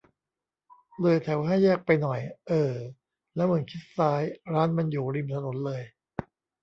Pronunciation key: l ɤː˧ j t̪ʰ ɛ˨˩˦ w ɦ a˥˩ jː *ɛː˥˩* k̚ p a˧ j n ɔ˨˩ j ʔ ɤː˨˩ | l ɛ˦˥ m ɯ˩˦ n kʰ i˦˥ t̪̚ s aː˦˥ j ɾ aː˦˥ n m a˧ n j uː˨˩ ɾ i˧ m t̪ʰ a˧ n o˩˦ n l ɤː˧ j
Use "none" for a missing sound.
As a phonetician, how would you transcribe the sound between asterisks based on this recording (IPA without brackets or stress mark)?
ɛː˥˩